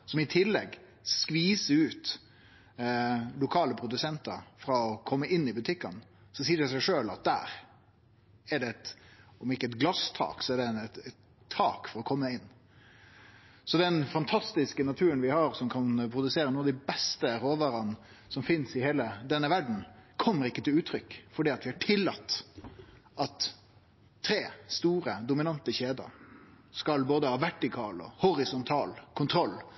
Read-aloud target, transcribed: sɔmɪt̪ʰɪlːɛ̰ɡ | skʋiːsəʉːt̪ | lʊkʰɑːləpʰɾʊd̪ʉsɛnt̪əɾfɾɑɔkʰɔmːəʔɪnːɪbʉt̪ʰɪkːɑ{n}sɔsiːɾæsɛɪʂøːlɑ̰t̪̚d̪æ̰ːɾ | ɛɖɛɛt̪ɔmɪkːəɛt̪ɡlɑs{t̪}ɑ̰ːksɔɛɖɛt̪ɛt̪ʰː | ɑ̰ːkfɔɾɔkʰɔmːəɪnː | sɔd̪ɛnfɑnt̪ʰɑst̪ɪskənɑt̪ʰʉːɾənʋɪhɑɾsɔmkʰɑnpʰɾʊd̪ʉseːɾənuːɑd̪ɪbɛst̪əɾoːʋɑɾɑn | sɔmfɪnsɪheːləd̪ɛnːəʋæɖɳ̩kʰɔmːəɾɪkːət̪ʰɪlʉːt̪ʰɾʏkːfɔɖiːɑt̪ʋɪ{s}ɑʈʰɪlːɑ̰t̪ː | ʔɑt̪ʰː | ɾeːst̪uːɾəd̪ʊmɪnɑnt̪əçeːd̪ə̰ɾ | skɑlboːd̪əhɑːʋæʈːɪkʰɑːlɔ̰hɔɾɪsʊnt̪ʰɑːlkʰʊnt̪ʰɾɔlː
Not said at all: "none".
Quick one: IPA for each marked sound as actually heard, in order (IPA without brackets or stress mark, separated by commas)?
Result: n, t̪ʰ, h